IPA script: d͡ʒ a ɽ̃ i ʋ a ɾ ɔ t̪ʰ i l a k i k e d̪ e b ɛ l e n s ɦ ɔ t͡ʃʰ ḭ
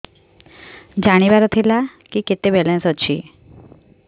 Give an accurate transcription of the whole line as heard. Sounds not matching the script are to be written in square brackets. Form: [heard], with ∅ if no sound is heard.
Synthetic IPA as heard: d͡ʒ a ɽ̃ i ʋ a ɾ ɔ t̪ʰ i l a k i k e [t̪] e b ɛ l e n s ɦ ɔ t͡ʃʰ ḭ

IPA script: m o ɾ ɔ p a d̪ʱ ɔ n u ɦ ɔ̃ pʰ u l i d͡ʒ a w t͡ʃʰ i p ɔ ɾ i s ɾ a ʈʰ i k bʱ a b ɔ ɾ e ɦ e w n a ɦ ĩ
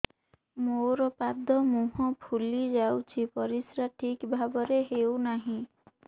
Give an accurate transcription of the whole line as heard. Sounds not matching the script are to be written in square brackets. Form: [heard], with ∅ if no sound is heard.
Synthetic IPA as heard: m o ɾ ɔ p a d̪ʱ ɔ [m] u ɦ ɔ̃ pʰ u l i d͡ʒ a w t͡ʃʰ i p ɔ ɾ i s ɾ a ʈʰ i k bʱ a b ɔ ɾ e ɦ e w n a ɦ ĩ

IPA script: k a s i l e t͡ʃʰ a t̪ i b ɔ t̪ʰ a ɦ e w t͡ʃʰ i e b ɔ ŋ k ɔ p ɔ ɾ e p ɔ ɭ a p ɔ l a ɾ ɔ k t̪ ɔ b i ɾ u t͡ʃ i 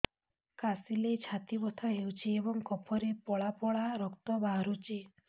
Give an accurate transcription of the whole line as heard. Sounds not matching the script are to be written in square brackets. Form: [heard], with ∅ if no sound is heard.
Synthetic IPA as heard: k a s i l e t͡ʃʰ a t̪ i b ɔ t̪ʰ a ɦ e w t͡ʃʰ i e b ɔ ŋ k ɔ [pʰ] ɔ ɾ e p ɔ ɭ a p ɔ [ɭ] a ɾ ɔ k t̪ ɔ b [a] ɾ u t͡ʃ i

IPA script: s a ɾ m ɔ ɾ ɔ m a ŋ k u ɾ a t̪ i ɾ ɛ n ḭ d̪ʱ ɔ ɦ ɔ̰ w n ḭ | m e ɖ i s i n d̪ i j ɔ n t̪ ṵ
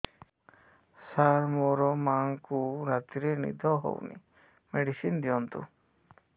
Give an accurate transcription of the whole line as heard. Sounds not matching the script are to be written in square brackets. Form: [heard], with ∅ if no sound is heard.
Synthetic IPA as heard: s a ɾ m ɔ ɾ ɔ m a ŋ k u ɾ a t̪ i ɾ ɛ n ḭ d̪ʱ ɔ ɦ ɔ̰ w n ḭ | m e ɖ i s i n d̪ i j ɔ n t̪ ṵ

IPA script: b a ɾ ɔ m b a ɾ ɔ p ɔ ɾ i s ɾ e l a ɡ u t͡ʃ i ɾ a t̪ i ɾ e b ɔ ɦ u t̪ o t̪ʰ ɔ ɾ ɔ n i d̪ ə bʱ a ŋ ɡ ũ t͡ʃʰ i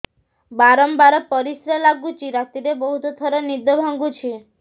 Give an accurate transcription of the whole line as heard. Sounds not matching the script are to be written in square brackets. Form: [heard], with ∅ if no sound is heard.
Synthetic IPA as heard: b a ɾ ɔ m b a ɾ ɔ p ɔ ɾ i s ɾ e l a ɡ u t͡ʃ i ɾ a t̪ i ɾ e b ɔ ɦ u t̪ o t̪ʰ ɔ ɾ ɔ n i d̪ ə bʱ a ŋ ɡ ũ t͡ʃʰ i

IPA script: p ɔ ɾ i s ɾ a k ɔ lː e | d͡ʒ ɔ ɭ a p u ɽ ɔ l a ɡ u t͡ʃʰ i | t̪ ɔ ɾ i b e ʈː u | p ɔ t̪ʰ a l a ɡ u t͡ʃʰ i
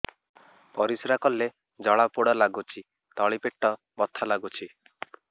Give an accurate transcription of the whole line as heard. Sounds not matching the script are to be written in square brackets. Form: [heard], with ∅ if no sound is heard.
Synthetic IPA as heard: p ɔ ɾ i s ɾ a k ɔ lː e | d͡ʒ ɔ ɭ a p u ɽ ɔ l a ɡ u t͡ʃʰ i | t̪ ɔ [ɭ] i [p] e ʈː [ɔ] | [b] ɔ t̪ʰ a l a ɡ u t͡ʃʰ i

